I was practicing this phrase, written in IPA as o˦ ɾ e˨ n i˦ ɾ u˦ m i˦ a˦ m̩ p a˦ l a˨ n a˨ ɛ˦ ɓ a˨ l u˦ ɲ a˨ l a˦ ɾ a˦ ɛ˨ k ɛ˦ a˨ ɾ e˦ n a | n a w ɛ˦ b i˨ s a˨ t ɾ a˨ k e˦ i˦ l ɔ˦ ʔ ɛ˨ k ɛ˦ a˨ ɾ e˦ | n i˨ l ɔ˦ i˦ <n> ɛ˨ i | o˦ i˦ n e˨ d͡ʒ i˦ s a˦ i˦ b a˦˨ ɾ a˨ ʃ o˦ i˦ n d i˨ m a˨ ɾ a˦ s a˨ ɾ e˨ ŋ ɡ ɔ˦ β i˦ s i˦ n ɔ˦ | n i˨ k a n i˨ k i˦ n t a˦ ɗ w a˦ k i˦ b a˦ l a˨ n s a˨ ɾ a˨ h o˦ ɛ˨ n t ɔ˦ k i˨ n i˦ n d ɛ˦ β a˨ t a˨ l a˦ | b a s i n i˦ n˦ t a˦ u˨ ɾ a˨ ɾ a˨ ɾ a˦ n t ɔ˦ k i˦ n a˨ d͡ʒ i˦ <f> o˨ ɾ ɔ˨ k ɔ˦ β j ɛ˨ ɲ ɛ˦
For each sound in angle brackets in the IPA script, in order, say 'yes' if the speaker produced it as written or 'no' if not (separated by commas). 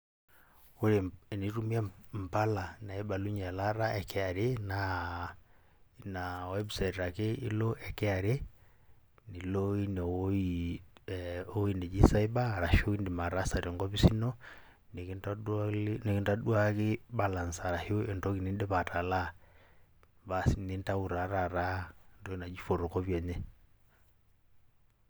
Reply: yes, yes